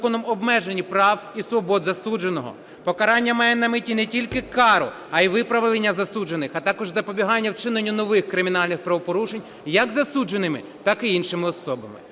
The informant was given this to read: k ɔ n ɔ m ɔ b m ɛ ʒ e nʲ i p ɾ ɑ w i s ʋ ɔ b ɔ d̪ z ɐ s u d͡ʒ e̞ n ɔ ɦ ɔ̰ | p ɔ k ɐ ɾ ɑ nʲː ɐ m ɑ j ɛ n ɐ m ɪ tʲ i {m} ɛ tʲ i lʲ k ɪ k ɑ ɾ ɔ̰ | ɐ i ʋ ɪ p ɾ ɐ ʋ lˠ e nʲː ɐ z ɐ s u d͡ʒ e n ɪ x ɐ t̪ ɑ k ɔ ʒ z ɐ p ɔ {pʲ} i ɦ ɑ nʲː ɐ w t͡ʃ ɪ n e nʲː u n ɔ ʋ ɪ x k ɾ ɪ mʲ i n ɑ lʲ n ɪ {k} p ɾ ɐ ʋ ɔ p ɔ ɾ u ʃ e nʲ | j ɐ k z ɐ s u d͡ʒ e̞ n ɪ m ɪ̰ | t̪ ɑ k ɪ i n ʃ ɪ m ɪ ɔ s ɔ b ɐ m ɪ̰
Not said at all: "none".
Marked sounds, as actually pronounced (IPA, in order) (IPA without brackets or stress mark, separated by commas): n, bʲ, x